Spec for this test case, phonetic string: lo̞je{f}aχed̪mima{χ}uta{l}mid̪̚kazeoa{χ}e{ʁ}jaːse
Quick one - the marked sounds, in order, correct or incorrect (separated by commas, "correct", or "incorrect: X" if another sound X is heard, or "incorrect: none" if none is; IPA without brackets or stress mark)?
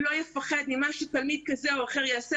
correct, incorrect: ʃ, correct, correct, correct